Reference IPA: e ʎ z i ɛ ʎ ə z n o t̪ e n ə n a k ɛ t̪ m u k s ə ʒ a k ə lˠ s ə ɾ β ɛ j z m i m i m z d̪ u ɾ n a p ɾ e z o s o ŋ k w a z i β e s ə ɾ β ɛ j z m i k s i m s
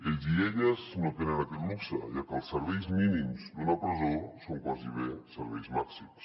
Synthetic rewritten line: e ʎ z i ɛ ʎ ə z n o t̪ e n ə n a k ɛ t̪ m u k s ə ʒ a k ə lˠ s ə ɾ β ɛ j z m i n i m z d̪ u n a p ɾ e z o s o ŋ k w a z i β e s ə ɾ β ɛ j z m a k s i m s